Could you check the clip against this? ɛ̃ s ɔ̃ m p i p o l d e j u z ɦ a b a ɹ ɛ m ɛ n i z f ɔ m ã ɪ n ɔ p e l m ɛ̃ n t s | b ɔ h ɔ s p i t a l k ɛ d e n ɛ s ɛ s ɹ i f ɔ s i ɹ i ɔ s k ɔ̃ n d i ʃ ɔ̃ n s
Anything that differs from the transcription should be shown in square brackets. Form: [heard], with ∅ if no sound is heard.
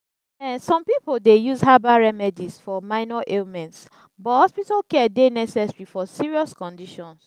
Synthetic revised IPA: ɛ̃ s ɔ̃ m p i p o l d e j u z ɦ a b a ɹ ɛ m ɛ [d] i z f ɔ m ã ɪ n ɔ [ʔ] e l m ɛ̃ n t s | b ɔ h ɔ s p i t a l k ɛ d e n ɛ s ɛ s ɹ i f ɔ s i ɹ i ɔ s k ɔ̃ n d i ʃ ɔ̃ n s

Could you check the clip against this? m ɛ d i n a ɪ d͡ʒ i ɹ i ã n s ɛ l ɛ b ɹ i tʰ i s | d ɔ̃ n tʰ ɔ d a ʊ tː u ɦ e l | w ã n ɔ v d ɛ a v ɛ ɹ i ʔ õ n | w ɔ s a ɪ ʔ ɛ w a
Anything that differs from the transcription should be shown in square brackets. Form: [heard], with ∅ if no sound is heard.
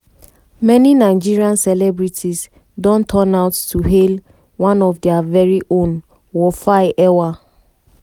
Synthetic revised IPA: m ɛ [n] i n a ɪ d͡ʒ i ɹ i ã n s ɛ l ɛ b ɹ i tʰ i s | d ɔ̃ n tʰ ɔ [n] a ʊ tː u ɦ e l | w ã n ɔ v d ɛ a v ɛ ɹ i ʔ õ n | w ɔ [f] a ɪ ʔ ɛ w a

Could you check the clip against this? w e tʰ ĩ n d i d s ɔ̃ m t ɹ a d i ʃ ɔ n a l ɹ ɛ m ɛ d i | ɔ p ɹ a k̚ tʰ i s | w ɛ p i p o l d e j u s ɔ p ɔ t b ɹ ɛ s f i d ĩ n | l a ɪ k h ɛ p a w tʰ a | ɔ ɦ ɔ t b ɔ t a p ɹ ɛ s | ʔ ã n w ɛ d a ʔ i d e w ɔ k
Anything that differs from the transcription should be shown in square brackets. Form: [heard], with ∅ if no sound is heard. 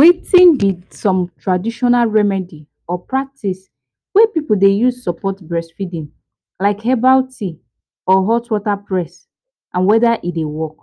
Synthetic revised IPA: w e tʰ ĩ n d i d s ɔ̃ m t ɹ a d i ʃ ɔ n a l ɹ ɛ m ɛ d i | ɔ p ɹ a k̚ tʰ i s | w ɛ p i p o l d e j u s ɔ p ɔ t b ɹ ɛ s f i d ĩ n | l a ɪ k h ɛ [b] a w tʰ [i] | ɔ ɦ ɔ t [w] ɔ t a p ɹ ɛ s | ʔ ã n w ɛ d a ʔ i d e w ɔ k

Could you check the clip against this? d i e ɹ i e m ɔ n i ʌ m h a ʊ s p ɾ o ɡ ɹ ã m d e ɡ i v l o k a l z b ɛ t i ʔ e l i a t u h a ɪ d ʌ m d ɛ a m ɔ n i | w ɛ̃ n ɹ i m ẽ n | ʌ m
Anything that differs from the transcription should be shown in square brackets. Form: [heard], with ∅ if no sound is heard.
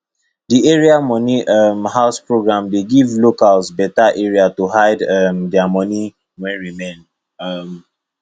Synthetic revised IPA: d i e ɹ i [a] m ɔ n i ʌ m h a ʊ s p [ɹ] o ɡ ɹ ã m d e ɡ i v l o k a l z b ɛ t [a] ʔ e [ɹ] i a t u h a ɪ d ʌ m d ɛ a m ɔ n i | w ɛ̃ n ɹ i m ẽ n | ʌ m

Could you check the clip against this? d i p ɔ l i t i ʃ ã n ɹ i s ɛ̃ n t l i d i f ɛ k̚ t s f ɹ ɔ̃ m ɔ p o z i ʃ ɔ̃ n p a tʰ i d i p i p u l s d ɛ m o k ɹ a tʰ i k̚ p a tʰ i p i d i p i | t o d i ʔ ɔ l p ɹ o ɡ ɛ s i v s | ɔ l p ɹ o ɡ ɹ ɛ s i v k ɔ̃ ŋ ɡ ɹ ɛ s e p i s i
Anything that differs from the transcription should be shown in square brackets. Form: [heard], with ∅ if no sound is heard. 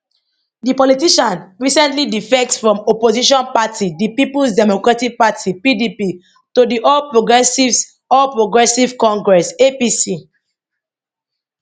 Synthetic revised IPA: d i p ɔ l i t i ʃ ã n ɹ i s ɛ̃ n t l i d i f ɛ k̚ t s f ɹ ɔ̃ m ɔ p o z i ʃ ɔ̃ n p a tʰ i d i p i p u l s d ɛ m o k ɹ a [t] i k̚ p a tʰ i p i d i p i | t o d i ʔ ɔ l p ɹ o ɡ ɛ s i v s | ɔ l p ɹ o ɡ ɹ ɛ s i v k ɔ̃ ŋ ɡ ɹ ɛ s e p i s i

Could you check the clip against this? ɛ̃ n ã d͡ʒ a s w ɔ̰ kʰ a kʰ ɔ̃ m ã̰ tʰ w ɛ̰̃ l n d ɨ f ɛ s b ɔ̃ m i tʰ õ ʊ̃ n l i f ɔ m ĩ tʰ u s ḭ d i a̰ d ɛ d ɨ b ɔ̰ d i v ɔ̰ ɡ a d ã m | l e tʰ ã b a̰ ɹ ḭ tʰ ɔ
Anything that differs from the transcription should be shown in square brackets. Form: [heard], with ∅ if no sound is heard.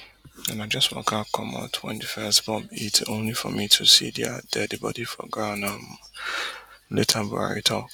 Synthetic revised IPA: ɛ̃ n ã d͡ʒ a s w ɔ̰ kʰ a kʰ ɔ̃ m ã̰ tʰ w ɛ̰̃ [∅] n d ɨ f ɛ s b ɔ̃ m i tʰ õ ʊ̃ n l i f ɔ m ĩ tʰ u s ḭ d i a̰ d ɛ d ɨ b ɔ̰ d i [f] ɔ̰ ɡ a [n] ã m | l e tʰ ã b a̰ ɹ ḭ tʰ ɔ

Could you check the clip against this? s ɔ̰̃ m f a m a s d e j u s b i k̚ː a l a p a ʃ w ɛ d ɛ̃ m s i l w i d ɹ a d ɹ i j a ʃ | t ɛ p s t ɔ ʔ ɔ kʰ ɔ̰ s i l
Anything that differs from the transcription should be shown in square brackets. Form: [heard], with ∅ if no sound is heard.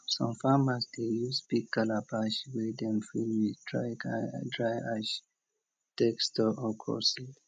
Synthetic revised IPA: s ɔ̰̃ m f a m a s d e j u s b i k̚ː a l a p a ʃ w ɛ d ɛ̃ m [f] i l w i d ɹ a d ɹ [a] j a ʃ | t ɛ [k] s t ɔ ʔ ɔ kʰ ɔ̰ s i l

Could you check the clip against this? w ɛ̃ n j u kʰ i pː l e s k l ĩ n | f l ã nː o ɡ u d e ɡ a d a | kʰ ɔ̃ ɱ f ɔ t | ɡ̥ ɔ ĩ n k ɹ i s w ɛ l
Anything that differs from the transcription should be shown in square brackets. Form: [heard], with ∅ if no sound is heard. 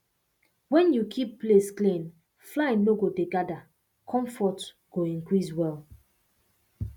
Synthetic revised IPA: w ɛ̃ n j u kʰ i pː l e s k l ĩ n | f l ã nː o ɡ [o] d e ɡ a d a | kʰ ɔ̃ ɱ f ɔ t | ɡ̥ [o] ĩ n k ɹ i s w ɛ l

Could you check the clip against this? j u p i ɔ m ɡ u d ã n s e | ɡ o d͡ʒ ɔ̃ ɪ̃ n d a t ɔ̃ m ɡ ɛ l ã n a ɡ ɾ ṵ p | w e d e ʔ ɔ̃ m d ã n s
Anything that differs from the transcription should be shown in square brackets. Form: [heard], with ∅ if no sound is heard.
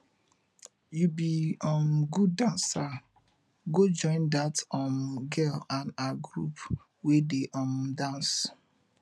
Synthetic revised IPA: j u [b] i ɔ m ɡ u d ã n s [a] | ɡ o d͡ʒ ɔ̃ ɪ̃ n d a t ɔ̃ m ɡ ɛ l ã n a ɡ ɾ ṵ p | w e d e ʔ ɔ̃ m d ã n s

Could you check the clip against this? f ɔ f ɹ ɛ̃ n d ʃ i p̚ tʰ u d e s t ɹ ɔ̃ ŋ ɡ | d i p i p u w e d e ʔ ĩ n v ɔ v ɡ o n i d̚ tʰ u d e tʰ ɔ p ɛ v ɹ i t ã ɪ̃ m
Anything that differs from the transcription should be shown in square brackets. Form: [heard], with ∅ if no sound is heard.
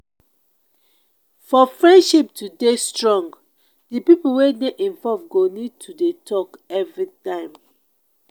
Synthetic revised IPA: f ɔ f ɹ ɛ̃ n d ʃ i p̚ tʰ u d e s t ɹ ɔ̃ ŋ ɡ | d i p i p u w e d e ʔ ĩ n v ɔ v ɡ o n i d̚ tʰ u d e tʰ ɔ [k] ɛ v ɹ i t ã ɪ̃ m

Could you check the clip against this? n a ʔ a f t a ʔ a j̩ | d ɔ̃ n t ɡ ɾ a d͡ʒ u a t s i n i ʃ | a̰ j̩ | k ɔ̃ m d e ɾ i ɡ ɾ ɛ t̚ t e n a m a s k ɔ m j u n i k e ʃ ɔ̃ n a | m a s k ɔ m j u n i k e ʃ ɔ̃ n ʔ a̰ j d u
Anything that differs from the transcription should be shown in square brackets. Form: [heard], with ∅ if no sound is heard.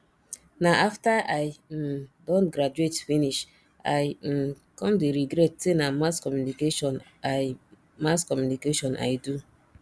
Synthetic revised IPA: n a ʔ a f t a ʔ a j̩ | d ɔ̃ n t ɡ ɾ a d͡ʒ u [e] t [f] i n i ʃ | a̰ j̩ | k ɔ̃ m d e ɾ i ɡ ɾ ɛ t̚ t e n a m a s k ɔ m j u n i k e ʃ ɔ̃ n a | m a s k ɔ m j u n i k e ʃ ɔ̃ n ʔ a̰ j d u

